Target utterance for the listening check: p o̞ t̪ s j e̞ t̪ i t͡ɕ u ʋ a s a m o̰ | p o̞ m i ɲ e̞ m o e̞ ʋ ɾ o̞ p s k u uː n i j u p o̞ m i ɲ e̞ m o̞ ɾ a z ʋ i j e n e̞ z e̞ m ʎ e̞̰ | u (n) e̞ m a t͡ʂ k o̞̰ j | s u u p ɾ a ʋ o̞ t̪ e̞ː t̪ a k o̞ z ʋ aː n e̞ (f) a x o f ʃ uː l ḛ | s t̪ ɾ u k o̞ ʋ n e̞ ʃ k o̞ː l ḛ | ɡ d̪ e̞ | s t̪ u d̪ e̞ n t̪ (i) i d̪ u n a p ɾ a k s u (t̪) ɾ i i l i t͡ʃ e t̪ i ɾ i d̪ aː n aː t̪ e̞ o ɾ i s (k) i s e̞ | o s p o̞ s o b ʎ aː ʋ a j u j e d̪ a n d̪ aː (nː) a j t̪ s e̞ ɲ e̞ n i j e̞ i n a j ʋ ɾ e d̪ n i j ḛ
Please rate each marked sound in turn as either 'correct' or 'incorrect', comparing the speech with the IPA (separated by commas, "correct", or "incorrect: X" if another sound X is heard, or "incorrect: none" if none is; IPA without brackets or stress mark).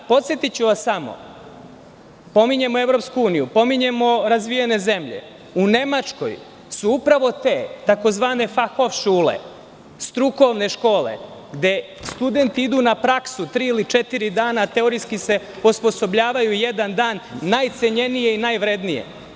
correct, correct, correct, correct, correct, correct